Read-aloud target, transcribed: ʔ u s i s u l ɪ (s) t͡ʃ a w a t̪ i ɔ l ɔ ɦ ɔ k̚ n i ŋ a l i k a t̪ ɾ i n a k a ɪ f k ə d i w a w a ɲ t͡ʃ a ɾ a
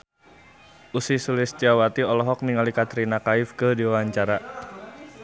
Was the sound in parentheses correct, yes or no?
yes